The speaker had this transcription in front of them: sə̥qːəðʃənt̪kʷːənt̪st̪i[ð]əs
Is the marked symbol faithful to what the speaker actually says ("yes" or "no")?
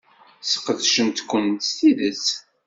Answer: yes